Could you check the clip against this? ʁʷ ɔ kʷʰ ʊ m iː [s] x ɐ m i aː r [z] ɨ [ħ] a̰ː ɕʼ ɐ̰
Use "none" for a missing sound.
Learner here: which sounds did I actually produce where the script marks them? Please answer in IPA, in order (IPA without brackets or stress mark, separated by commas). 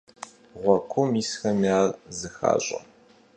s, z, x